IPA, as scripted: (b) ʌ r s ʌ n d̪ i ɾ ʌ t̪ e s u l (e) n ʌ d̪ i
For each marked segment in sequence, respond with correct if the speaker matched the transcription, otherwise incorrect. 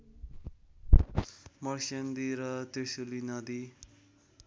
incorrect, incorrect

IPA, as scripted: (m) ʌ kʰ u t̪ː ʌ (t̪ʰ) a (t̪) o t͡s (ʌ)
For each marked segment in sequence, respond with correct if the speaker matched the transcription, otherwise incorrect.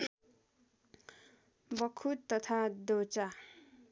incorrect, correct, incorrect, incorrect

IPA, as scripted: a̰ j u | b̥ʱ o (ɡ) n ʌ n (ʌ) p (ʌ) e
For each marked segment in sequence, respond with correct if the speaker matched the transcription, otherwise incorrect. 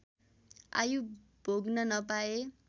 correct, correct, incorrect

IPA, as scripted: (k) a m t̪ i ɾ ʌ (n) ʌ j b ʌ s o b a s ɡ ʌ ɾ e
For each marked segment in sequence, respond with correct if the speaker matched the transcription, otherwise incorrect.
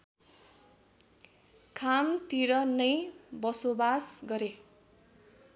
incorrect, correct

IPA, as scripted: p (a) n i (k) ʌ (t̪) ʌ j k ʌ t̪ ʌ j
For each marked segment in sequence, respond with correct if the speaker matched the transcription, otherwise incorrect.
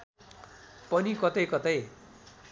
incorrect, correct, correct

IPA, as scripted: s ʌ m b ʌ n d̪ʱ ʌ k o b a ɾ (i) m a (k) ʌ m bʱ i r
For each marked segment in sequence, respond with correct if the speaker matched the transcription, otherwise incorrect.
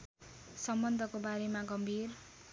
incorrect, incorrect

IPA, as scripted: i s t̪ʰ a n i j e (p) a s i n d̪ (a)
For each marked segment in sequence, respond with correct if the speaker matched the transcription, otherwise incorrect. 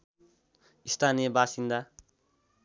incorrect, correct

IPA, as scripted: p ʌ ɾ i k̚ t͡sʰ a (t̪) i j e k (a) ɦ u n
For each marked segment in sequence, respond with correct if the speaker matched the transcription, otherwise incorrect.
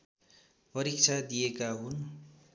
incorrect, correct

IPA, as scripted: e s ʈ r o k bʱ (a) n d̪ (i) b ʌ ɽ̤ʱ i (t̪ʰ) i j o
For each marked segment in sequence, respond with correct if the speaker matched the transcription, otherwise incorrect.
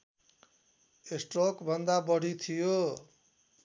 incorrect, incorrect, correct

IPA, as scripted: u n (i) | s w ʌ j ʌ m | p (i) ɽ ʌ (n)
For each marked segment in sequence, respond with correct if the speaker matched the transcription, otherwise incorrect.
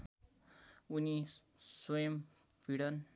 correct, correct, correct

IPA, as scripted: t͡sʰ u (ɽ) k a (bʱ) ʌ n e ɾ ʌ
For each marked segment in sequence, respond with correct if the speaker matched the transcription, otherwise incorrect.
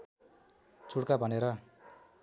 correct, correct

